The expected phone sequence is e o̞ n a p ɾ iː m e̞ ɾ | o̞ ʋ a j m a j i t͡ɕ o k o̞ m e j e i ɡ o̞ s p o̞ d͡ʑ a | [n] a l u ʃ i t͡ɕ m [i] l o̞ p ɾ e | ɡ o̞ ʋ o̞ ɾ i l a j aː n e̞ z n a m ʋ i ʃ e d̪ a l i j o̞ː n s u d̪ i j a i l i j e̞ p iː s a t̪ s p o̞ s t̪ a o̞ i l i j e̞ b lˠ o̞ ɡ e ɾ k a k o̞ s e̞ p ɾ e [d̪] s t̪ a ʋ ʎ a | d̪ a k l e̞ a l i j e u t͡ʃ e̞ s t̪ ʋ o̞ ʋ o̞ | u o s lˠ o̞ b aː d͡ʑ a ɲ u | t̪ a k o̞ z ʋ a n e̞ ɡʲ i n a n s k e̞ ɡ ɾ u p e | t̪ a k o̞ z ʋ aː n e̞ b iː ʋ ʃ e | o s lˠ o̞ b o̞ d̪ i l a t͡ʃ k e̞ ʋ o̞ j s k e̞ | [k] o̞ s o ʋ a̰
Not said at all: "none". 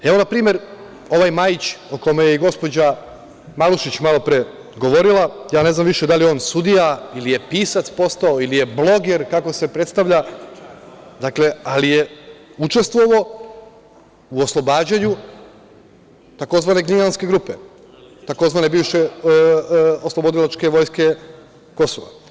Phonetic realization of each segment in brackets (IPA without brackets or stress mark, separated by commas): m, a, t̪, k